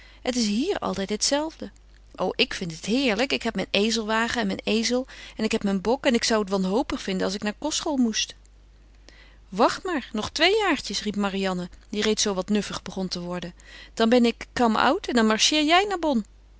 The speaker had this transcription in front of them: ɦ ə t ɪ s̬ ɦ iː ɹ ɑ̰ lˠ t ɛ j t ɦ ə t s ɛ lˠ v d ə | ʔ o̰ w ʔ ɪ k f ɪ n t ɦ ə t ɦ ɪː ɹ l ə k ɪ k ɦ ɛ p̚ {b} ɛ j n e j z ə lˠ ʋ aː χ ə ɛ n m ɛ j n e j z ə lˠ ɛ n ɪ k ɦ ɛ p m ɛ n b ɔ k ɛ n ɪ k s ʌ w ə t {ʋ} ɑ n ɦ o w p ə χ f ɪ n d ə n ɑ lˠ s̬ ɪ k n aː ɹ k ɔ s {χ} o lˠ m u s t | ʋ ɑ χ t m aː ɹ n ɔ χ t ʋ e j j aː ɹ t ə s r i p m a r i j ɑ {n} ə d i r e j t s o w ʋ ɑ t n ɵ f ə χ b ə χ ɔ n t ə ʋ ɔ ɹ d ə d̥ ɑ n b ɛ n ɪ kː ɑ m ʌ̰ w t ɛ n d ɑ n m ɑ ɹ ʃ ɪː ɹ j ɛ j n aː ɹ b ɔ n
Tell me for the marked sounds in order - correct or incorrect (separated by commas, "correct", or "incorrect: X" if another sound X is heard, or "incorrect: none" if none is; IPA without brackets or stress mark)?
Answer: incorrect: m, correct, correct, correct